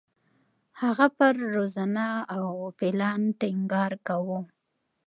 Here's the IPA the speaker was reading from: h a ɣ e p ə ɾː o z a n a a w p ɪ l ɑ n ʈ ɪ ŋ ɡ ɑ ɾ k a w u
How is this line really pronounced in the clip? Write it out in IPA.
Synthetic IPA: h a ɣ a p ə ɾː o z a n a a w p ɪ l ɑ n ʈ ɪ ŋ ɡ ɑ ɾ k a w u